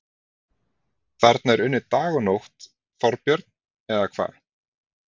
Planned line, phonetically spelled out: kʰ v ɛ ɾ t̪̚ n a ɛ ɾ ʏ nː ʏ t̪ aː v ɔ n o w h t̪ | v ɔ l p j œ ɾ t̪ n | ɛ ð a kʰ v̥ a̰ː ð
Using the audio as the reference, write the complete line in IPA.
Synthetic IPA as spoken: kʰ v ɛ ɾ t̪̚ n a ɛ ɾ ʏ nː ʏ t̪ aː ɣ ɔ n o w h t̪ | f ɔ ɾ p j œ ɾ t̪ n | ɛ ð a kʰ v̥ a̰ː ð